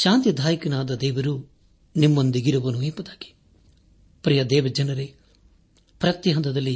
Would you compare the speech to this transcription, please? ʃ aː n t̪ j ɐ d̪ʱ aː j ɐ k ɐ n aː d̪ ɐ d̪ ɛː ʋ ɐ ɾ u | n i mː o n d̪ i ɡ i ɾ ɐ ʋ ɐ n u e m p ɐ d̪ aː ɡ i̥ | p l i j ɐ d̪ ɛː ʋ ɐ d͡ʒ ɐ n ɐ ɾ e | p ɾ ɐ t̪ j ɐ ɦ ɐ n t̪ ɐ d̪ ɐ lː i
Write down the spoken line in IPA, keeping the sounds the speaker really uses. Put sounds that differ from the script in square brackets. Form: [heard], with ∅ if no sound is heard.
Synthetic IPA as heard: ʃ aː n t̪ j ɐ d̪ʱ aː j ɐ k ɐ n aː d̪ ɐ d̪ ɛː ʋ ɐ ɾ u | n i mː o n d̪ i ɡ i ɾ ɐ ʋ ɐ n u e m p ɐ d̪ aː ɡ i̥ | p [ɾ] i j ɐ d̪ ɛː ʋ ɐ d͡ʒ ɐ n ɐ ɾ e | p ɾ ɐ t̪ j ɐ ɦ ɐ n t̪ ɐ d̪ ɐ lː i